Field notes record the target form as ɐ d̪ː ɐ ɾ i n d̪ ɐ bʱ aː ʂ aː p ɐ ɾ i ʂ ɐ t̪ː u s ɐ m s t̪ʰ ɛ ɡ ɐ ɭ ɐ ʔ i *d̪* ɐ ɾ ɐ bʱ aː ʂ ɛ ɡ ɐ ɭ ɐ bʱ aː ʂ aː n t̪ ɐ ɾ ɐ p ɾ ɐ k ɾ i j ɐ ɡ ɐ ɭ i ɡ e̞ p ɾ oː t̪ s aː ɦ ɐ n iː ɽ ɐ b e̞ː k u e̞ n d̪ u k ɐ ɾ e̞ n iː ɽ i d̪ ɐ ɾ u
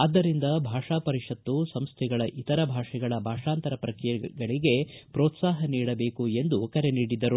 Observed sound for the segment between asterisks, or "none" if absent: t̪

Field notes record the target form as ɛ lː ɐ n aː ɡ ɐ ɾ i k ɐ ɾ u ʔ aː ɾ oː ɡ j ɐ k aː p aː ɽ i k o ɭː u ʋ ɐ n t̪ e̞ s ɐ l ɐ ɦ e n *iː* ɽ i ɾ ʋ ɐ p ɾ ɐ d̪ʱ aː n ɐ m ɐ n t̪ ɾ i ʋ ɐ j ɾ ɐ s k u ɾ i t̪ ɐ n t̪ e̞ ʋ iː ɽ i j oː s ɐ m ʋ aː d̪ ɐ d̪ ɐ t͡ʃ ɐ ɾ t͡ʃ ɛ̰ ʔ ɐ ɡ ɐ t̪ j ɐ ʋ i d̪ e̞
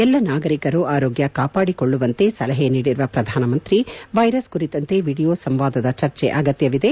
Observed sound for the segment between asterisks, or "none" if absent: iː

